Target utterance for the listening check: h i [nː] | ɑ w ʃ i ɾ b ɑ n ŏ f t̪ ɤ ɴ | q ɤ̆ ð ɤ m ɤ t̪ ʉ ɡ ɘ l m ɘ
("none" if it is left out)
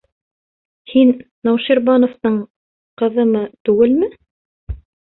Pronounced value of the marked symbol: nː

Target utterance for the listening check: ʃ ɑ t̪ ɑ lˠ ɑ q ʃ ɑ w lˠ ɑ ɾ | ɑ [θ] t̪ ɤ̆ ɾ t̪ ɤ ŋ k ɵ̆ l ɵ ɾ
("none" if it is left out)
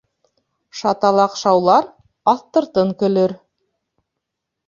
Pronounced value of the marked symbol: θ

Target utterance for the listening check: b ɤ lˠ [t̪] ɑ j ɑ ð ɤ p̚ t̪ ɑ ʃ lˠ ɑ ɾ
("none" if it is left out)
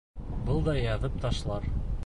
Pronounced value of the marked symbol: d̪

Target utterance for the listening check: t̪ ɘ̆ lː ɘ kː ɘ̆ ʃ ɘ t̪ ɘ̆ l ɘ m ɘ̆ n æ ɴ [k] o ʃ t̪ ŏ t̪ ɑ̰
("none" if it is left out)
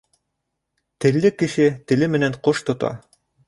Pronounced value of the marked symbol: q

